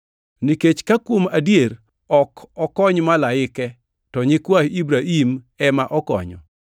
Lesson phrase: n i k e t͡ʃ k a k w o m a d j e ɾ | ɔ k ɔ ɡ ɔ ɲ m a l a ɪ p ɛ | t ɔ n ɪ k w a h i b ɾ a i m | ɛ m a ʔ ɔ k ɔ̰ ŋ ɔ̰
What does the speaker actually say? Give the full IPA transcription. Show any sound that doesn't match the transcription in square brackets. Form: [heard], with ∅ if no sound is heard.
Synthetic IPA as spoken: n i k e t͡ʃ k a k w o m a d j e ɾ | ɔ k ɔ [k] ɔ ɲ m a l a ɪ [k] ɛ | t ɔ [ɲ] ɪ k w a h i b ɾ a i m | ɛ m a ʔ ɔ k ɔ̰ [ɲ] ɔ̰